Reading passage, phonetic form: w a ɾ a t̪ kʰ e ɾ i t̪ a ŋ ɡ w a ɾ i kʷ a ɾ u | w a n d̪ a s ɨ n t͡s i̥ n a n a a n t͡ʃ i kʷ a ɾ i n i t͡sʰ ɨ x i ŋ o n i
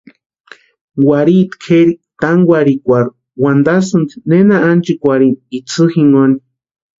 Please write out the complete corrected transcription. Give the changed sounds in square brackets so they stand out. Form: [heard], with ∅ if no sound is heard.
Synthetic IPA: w a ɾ [i] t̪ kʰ e ɾ i t̪ a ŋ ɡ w a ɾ i kʷ a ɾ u | w a n d̪ a s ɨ n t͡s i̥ n [e] n a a n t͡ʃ i kʷ a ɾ i n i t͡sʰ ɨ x i ŋ o n i